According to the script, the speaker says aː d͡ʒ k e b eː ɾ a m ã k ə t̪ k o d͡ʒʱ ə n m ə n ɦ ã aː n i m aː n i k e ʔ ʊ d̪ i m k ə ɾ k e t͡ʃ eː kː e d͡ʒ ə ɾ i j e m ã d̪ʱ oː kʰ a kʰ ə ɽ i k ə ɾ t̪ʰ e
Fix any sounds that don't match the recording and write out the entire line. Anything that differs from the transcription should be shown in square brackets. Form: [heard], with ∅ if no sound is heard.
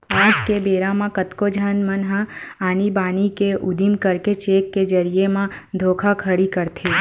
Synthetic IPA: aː d͡ʒ k e b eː ɾ a m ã k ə t̪ k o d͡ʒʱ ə n m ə n ɦ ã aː n i [b] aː n i k e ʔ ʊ d̪ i m k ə ɾ k e t͡ʃ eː kː e d͡ʒ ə ɾ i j e m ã d̪ʱ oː kʰ a kʰ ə ɽ i k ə ɾ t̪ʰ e